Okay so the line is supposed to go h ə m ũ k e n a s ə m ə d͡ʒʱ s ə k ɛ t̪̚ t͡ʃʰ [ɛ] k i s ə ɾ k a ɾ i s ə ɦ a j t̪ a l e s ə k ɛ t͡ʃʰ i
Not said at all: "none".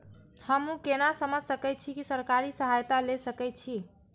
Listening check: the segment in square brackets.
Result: i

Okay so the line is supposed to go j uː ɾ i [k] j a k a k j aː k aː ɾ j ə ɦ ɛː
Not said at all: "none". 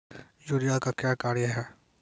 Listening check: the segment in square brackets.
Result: none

